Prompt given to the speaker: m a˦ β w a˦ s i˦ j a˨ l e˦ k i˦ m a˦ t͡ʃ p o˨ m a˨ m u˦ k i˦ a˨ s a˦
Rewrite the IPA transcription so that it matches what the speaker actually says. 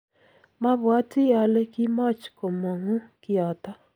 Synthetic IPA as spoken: m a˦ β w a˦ t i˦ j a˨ l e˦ k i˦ m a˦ t͡ʃ k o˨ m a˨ ŋ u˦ k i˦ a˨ t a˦

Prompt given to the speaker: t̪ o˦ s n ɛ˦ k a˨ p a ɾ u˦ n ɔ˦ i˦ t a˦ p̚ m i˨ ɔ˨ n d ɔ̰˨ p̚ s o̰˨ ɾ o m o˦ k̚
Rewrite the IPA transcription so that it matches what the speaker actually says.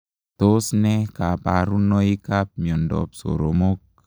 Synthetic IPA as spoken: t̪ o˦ s n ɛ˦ k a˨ p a ɾ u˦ n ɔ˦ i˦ k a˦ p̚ m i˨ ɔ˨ n d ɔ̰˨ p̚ s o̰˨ ɾ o m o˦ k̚

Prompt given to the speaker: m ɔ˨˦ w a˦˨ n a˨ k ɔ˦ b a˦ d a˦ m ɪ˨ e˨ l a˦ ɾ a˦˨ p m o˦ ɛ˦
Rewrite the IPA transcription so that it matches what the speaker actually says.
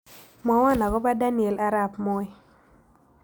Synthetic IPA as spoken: m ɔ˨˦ w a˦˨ n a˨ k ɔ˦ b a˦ d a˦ n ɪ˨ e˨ l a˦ ɾ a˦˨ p m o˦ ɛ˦

